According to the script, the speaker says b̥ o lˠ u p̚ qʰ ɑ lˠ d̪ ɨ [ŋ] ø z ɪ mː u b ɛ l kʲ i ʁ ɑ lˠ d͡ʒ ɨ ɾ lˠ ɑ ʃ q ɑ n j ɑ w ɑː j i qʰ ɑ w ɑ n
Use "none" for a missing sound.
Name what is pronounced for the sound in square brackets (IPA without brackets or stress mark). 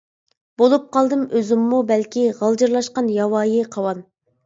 m